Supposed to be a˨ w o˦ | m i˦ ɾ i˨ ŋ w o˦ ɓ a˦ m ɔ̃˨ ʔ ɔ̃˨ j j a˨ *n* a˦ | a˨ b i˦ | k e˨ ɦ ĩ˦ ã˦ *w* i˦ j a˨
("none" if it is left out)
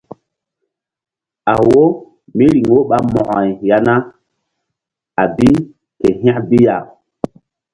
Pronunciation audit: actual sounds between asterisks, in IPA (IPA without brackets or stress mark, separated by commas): n, b